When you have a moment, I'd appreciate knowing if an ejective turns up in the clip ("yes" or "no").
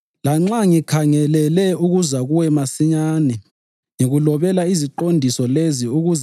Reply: no